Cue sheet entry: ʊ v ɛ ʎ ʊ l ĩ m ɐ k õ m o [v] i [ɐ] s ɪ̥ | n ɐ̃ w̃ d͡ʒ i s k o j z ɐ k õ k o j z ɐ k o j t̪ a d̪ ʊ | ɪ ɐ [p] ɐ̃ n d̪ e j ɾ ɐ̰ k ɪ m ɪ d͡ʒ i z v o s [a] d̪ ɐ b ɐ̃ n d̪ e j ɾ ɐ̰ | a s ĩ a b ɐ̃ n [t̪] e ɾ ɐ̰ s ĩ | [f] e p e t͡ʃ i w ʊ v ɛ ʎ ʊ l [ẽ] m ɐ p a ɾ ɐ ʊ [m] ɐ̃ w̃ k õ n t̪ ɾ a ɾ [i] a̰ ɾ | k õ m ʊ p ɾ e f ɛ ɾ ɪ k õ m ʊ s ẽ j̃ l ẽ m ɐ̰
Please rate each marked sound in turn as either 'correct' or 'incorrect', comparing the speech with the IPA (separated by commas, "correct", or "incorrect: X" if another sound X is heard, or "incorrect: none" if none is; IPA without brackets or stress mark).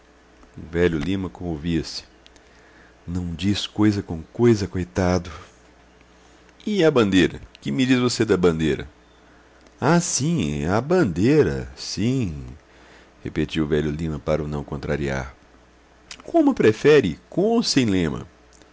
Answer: correct, correct, incorrect: b, incorrect: e, incorrect: d̪, incorrect: h, incorrect: ĩ, incorrect: n, correct